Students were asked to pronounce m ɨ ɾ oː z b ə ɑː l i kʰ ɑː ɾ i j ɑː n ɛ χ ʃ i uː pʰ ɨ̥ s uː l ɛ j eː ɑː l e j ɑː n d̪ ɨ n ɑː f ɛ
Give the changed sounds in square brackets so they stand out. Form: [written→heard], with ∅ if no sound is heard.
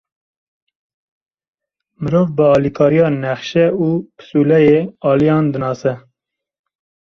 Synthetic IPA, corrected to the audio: m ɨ ɾ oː [z→v] b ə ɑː l i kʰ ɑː ɾ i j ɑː n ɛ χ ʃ [i→ɛ] uː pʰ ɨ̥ s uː l ɛ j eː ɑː l [e→i] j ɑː n d̪ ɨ n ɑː [f→s] ɛ

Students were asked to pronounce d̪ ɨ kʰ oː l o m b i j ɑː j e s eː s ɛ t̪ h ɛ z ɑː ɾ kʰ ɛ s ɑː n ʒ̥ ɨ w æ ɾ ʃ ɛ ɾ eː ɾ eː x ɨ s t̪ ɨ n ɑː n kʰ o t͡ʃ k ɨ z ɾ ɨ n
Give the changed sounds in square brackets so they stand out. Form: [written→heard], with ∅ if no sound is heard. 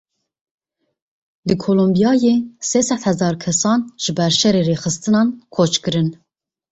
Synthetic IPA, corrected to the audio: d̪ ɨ kʰ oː l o m b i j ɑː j e s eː s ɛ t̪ h ɛ z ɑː ɾ kʰ ɛ s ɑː n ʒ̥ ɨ [w→b] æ ɾ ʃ ɛ ɾ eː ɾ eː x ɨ s t̪ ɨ n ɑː n kʰ o t͡ʃ k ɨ [z→∅] ɾ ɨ n

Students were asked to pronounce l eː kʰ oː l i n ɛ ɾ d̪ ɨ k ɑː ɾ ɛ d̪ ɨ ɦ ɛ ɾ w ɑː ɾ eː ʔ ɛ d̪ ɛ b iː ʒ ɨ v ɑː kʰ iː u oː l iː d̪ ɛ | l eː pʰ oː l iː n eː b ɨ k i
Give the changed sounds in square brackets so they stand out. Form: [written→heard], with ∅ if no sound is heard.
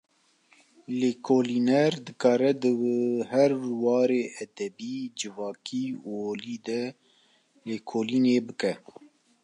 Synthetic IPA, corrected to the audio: l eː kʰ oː l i n ɛ ɾ d̪ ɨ k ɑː ɾ ɛ d̪ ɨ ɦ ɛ ɾ w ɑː ɾ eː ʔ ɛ d̪ ɛ b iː [ʒ→d͡ʒ] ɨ v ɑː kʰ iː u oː l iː d̪ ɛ | l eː [pʰ→kʰ] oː l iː n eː b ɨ k [i→ɛ]

